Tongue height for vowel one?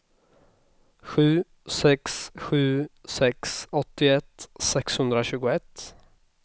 high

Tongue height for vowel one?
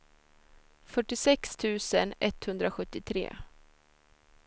mid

